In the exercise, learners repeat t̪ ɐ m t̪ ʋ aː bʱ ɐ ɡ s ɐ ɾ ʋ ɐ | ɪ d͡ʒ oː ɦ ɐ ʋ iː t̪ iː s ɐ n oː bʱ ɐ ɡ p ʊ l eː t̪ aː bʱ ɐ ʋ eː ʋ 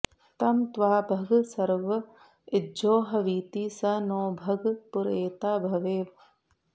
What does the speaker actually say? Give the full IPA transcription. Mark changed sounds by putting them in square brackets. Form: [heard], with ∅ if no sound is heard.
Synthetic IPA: t̪ ɐ m t̪ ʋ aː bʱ ɐ ɡ s ɐ ɾ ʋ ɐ | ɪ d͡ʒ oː ɦ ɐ ʋ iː t̪ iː s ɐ n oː bʱ ɐ ɡ p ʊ [ɾ] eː t̪ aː bʱ ɐ ʋ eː ʋ